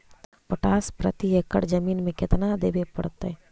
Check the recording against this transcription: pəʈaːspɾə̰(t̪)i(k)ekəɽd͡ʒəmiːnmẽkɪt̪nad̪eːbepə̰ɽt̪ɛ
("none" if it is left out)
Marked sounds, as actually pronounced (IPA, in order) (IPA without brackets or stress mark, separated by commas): t̪, none